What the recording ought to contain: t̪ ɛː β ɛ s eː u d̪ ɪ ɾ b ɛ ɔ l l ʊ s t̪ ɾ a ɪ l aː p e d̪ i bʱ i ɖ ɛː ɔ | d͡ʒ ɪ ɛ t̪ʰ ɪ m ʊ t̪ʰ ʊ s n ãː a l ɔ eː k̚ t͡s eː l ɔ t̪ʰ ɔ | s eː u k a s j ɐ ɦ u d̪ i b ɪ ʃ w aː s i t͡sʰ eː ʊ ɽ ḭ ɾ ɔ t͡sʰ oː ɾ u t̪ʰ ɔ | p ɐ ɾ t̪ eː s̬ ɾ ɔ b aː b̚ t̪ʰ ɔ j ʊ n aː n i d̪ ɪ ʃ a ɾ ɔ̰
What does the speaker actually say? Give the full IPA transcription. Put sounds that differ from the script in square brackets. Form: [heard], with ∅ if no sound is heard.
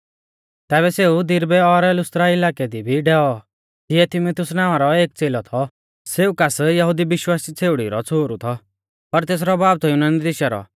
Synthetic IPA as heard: t̪ ɛː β ɛ s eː u d̪ ɪ ɾ b ɛ ɔ [ɾ] l ʊ s t̪ ɾ a ɪ l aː [k] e d̪ i bʱ i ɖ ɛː ɔ | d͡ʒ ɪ ɛ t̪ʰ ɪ m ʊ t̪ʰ ʊ s n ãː a [ɾ] ɔ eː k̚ t͡s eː l ɔ t̪ʰ ɔ | s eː u k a s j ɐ ɦ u d̪ i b ɪ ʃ w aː s i t͡sʰ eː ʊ ɽ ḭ ɾ ɔ t͡sʰ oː ɾ u t̪ʰ ɔ | p ɐ ɾ t̪ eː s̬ ɾ ɔ b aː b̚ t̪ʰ ɔ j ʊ n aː n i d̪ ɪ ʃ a ɾ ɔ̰

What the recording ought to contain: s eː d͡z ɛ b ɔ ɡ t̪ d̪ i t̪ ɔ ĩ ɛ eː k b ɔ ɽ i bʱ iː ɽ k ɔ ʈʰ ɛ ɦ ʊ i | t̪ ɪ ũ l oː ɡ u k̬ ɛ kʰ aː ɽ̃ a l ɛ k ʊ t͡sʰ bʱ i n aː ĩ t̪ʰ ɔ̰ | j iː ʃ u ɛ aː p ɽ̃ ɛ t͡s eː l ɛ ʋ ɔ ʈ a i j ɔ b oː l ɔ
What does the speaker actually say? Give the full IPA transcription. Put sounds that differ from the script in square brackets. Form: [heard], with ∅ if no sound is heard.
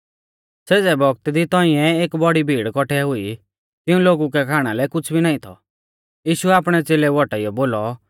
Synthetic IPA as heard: s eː d͡z ɛ b ɔ ɡ t̪ d̪ i t̪ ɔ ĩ ɛ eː k b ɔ ɽ i bʱ iː ɽ k ɔ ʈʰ ɛ ɦ ʊ i | t̪ ɪ ũ l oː ɡ u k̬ ɛ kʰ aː ɽ̃ a l ɛ k ʊ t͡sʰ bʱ i n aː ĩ t̪ʰ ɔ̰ | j iː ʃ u ɛ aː p ɽ̃ ɛ t͡s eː l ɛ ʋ ɔ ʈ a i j ɔ b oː l ɔ

